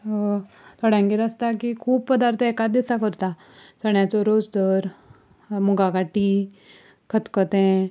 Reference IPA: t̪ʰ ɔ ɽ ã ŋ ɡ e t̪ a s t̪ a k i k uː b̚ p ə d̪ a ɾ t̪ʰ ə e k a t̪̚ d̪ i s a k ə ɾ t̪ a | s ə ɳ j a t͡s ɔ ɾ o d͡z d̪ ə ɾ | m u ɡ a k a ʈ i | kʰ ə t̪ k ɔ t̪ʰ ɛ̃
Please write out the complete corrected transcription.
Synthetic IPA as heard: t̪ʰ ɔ ɽ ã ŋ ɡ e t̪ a s t̪ a k i kʰ uː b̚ p ə d̪ a ɾ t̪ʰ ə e k a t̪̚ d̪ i s a k ə ɾ t̪ a | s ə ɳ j a t͡s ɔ ɾ o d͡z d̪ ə ɾ | m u ɡ a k a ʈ i | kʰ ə t̪ k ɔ t̪ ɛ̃

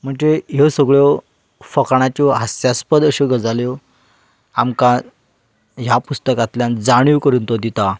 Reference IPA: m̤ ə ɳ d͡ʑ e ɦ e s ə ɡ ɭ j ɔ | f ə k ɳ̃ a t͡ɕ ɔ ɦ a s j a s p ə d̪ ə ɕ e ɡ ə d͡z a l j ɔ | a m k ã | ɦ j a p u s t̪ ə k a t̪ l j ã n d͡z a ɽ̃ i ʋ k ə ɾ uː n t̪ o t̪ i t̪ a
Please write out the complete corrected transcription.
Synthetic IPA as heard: m̤ ə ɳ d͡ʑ e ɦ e s ə ɡ ɭ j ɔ | f ə k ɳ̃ a t͡ɕ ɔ ɦ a s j a s p ə d̪ ə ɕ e ɡ ə d͡z a l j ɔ | a m k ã | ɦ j a p u s t̪ ə k a t̪ l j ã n d͡z a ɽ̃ i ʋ k ə ɾ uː n t̪ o d̪ i t̪ a

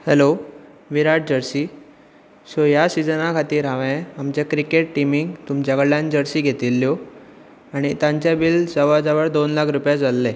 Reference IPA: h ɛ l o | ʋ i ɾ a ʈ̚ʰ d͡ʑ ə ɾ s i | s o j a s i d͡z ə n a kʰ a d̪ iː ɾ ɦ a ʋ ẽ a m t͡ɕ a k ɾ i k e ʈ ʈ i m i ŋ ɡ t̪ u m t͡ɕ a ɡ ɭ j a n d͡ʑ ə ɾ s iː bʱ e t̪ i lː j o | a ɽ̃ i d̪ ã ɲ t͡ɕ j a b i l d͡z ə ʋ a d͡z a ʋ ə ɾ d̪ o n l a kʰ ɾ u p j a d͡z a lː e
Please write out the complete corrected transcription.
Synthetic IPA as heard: h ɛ l o | ʋ i ɾ a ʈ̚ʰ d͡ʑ ə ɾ s i | s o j a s i d͡z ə n a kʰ a t̪ iː ɾ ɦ a ʋ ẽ a m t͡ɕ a k ɾ i k e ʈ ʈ i m i ŋ ɡ t̪ u m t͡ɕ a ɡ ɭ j a n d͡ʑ ə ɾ s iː ɡʱ e t̪ i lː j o | a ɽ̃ i t̪ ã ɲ t͡ɕ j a b i l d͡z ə ʋ a d͡z a ʋ ə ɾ d̪ o n l a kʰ ɾ u p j a d͡z a lː e

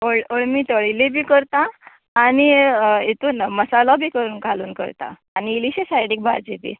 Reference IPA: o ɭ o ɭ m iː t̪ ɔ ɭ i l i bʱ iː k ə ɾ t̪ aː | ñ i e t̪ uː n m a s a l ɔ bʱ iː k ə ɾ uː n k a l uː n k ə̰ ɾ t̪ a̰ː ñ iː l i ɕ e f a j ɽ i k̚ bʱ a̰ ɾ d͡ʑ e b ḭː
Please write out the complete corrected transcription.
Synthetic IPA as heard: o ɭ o ɭ m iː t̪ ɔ ɭ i l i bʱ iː k ə ɾ t̪ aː | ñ i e t̪ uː n m ə s a l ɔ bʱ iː k ə ɾ uː n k a l uː n k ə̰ ɾ t̪ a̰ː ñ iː l i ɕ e s a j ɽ i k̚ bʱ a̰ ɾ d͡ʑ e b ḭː

